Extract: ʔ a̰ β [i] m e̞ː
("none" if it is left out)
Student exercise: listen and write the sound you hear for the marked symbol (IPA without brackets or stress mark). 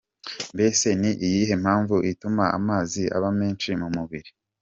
a